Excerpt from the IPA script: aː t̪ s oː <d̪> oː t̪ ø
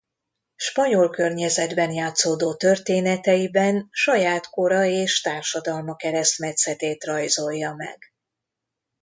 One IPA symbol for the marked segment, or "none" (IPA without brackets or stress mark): d̪